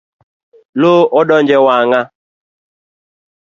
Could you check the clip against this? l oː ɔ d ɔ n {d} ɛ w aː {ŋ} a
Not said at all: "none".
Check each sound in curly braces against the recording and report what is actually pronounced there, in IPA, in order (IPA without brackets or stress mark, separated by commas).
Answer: d͡ʒ, ŋ